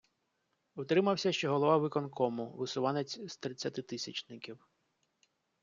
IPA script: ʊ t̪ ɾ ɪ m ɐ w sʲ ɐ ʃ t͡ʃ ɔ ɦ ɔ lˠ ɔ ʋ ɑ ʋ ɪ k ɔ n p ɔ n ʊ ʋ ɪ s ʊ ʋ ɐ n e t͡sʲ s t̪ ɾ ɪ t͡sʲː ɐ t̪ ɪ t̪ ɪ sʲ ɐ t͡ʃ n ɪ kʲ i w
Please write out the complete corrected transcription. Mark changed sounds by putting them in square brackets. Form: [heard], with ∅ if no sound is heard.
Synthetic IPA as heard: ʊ t̪ ɾ ɪ m ɐ w sʲ ɐ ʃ t͡ʃ ɔ ɦ ɔ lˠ ɔ ʋ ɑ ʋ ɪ k ɔ n [k] ɔ [m] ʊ ʋ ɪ s ʊ ʋ [ɑ] n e t͡sʲ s t̪ ɾ ɪ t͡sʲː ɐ t̪ ɪ t̪ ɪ sʲ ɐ t͡ʃ n ɪ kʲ i w